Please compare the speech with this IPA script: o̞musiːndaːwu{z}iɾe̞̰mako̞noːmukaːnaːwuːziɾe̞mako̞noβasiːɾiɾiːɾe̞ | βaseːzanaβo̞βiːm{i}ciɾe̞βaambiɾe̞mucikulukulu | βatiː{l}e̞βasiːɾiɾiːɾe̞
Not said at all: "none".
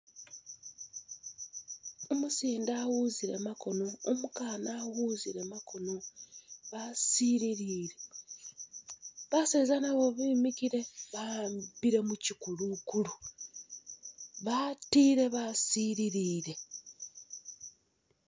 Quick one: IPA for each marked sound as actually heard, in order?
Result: z, i, ɾ

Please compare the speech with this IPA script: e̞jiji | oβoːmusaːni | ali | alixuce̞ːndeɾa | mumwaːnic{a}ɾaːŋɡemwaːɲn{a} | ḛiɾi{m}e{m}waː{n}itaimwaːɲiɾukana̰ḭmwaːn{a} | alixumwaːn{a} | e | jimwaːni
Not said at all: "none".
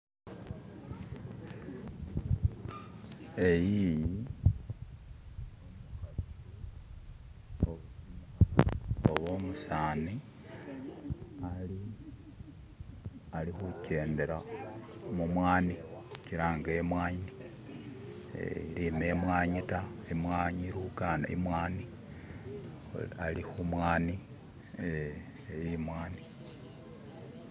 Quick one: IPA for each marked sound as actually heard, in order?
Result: i, i, m, m, ɲ, i, i

